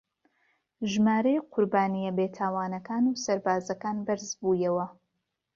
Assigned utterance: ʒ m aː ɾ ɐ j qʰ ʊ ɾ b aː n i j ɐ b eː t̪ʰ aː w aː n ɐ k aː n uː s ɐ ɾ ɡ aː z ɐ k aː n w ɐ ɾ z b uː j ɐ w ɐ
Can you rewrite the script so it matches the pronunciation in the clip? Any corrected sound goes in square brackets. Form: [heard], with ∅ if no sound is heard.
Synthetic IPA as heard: ʒ m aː ɾ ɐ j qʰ ʊ ɾ b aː n i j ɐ b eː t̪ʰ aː w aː n ɐ k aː n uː s ɐ ɾ [b] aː z ɐ k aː n [b] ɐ ɾ z b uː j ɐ w ɐ